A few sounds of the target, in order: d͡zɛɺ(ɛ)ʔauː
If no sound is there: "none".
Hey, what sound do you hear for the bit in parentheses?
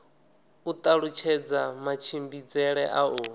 ɛ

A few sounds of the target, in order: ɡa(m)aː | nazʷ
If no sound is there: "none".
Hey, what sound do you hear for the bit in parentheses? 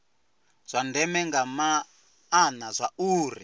m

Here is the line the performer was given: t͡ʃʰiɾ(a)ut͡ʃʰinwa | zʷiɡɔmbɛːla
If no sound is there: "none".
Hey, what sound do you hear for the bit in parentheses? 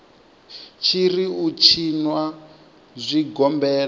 i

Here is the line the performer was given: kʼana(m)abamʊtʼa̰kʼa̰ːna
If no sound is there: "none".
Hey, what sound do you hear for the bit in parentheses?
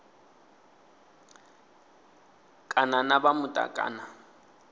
n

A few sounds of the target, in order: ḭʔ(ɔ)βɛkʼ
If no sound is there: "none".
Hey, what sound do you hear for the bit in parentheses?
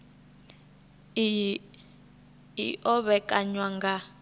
ɔ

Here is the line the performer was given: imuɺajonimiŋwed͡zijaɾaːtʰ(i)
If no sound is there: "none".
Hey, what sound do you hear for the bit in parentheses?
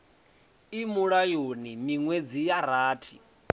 i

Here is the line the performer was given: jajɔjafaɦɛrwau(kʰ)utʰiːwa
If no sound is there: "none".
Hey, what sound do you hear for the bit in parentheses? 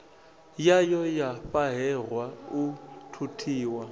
tʰ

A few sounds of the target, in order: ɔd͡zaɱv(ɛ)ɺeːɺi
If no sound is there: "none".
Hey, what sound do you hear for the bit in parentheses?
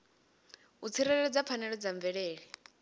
ɛ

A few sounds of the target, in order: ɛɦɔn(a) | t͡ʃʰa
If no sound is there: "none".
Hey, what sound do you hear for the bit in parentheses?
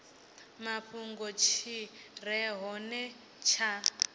ɛ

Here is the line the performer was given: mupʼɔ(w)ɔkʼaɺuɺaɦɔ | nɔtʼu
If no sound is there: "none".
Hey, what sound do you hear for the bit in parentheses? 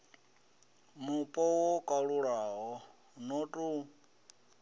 w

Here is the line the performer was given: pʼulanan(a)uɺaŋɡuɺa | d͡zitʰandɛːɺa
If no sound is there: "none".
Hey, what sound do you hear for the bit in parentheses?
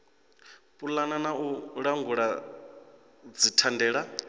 a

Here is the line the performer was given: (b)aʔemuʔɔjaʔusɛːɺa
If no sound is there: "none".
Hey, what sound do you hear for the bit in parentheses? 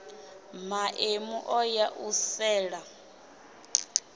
m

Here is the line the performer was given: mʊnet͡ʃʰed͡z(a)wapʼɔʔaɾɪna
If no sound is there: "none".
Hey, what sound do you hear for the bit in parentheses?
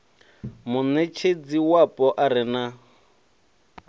i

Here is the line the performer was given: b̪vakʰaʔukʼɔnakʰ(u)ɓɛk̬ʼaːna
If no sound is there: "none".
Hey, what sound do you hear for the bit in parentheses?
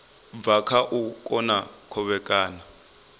ɔ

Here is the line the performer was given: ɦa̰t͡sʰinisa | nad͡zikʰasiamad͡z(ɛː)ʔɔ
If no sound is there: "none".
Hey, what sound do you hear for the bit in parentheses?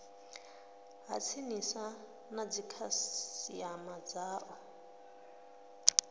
aː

